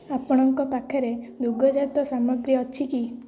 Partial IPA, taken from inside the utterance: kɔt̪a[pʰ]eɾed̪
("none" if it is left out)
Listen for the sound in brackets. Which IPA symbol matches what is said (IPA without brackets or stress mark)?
kʰ